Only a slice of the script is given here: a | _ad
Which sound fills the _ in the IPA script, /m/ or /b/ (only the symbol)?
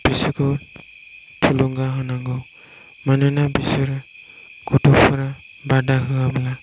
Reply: b